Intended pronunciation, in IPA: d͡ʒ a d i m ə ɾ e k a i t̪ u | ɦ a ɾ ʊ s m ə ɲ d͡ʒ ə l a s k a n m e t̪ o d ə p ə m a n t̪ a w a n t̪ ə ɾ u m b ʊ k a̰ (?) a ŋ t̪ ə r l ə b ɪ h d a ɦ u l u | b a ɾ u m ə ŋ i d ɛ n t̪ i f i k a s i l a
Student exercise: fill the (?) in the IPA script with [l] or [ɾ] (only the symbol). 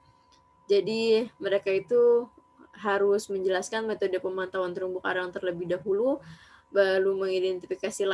ɾ